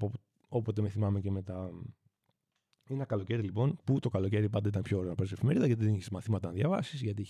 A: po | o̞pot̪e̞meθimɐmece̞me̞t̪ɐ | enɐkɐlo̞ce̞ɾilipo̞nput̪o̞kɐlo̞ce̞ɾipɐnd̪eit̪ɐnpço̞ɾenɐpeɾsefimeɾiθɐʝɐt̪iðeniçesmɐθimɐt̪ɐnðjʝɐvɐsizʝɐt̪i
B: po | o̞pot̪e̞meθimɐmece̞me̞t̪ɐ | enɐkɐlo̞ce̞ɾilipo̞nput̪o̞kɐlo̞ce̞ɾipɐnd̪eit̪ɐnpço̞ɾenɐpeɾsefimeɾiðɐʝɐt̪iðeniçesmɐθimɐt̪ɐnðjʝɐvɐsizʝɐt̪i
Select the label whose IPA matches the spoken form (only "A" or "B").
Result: B